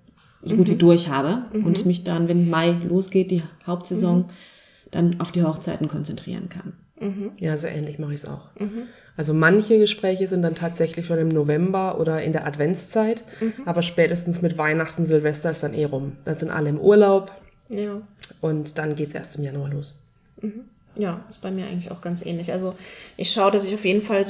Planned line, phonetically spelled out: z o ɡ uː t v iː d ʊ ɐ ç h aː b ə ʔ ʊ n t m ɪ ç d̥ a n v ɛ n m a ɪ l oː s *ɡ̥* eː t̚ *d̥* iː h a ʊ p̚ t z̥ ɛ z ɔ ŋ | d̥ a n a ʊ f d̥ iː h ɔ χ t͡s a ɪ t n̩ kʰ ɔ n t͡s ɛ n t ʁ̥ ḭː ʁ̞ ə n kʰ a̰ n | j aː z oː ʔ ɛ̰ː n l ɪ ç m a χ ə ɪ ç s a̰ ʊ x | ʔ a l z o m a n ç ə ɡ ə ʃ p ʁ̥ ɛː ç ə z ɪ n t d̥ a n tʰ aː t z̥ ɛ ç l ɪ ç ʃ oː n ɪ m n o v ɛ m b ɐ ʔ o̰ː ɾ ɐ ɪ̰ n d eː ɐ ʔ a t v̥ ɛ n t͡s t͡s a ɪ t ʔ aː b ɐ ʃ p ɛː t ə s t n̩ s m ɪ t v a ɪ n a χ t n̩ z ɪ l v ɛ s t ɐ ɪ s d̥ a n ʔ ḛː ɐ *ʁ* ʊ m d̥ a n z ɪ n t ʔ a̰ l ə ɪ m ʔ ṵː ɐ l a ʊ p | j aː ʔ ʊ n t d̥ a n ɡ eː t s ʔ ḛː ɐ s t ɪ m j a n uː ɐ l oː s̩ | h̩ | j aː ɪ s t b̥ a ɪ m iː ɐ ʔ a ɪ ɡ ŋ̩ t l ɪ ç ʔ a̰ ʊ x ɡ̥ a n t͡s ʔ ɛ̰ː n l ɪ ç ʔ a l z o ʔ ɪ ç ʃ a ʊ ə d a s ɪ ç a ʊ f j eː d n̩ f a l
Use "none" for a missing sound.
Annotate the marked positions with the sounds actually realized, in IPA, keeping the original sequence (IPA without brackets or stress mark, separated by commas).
ɡ̥, d̥, ʁ